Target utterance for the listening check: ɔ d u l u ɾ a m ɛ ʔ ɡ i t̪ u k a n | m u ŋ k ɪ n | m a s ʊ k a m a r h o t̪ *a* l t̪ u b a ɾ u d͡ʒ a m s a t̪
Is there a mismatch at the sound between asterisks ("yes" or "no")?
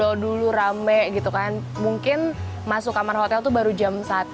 yes